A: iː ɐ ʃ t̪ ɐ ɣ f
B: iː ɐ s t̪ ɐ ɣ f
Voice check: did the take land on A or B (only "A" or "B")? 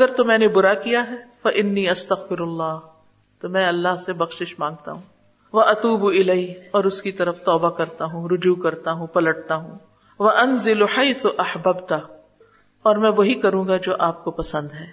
B